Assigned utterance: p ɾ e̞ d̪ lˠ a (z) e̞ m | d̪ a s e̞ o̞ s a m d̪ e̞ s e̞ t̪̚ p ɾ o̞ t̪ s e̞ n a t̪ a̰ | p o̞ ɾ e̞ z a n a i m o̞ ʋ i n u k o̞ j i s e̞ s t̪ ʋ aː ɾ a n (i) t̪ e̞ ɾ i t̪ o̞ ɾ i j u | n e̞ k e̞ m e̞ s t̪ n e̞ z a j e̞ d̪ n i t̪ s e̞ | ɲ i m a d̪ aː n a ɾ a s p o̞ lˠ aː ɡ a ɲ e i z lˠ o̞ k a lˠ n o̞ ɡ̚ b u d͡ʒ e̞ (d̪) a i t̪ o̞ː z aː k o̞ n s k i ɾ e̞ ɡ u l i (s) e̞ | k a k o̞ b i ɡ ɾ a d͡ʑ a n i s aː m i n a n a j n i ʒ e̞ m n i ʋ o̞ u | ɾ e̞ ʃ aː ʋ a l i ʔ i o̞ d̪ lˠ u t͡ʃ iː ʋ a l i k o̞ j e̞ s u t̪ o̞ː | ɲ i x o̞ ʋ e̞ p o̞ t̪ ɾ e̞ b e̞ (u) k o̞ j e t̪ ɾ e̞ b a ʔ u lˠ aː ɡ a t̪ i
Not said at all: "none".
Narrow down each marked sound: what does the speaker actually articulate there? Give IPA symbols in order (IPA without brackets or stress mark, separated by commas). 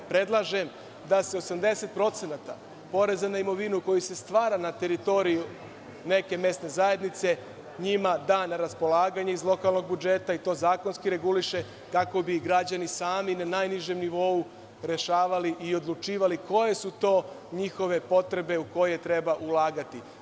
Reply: ʒ, a, t̪, ʃ, u